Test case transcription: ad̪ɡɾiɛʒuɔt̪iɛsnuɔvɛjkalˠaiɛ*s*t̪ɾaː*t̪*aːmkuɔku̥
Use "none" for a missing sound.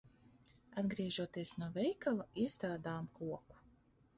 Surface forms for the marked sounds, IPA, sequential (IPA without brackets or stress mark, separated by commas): s, d̪